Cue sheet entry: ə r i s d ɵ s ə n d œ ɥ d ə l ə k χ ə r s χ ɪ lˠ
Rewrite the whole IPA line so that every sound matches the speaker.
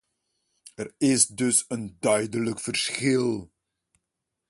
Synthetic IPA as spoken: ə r ɪ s d ɵ s ə n d œ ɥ d ə l ə k f ə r s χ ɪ lˠ